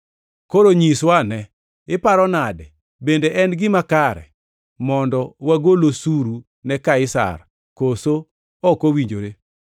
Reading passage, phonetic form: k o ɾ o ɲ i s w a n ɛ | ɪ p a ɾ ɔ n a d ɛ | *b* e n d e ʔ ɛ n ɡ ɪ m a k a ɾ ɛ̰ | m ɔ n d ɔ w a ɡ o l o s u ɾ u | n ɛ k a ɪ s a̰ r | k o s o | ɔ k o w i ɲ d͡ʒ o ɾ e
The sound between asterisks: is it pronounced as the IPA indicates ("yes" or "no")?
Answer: yes